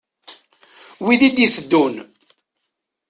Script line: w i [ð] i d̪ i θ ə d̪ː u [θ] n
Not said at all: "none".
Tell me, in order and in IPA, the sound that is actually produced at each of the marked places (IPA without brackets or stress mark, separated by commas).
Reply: ð, none